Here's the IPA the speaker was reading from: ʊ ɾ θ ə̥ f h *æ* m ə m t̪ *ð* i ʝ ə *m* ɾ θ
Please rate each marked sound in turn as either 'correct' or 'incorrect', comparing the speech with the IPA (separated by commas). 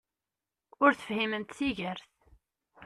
incorrect, incorrect, incorrect